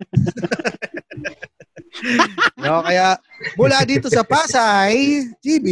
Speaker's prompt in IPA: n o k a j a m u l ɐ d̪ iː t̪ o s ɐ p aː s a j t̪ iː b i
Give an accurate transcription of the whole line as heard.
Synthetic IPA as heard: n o k ɐ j a m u l a d̪ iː t̪ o s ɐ p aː s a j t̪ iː b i